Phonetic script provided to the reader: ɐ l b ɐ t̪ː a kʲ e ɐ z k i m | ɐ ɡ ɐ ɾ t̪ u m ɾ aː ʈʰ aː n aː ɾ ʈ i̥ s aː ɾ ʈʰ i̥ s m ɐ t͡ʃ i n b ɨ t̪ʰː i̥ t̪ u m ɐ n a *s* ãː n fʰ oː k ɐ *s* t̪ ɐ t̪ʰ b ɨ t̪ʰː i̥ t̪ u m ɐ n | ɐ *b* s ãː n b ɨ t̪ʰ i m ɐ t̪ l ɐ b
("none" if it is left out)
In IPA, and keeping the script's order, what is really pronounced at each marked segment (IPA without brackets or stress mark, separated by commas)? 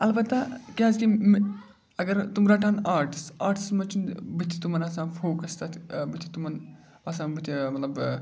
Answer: s, s, none